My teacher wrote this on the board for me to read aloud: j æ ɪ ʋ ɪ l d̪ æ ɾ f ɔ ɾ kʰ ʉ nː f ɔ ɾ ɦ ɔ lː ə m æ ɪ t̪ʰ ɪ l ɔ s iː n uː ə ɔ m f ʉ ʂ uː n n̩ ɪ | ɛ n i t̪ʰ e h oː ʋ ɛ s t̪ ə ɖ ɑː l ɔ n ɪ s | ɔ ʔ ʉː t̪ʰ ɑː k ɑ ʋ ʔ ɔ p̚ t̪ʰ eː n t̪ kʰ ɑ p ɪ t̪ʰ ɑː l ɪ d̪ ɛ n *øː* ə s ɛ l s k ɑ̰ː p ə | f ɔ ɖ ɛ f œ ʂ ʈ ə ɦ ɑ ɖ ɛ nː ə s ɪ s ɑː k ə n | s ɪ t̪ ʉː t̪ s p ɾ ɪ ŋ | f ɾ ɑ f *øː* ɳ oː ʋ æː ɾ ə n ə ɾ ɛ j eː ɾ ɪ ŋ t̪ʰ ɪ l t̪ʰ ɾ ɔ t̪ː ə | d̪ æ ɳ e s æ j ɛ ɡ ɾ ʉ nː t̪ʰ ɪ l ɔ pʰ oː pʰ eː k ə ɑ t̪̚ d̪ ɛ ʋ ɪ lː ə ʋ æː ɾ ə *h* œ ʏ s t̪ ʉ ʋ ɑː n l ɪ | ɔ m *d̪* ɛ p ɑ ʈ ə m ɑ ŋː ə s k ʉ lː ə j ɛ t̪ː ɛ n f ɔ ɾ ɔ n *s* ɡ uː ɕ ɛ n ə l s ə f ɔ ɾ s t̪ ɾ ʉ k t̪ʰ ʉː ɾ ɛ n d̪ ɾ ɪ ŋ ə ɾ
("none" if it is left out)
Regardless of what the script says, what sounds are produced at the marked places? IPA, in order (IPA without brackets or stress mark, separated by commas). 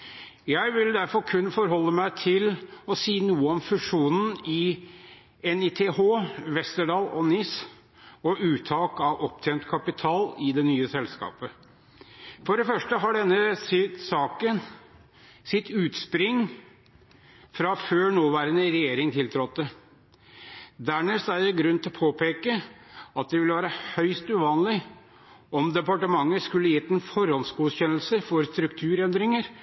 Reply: yː, øː, h, d̪, s